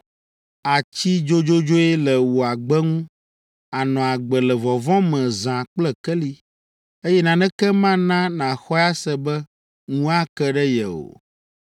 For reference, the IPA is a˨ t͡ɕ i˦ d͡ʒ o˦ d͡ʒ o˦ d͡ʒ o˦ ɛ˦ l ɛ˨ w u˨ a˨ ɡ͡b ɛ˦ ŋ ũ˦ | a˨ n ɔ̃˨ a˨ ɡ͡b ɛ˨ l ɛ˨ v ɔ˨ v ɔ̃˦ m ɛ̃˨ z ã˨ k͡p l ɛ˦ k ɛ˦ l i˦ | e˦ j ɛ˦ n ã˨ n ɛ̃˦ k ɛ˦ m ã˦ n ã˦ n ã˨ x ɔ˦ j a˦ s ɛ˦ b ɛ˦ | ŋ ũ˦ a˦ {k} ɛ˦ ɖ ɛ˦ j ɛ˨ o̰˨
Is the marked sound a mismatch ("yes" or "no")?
no